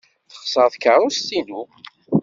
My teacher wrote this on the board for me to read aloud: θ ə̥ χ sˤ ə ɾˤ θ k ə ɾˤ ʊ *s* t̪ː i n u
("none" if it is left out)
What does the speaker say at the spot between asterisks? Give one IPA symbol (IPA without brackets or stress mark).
s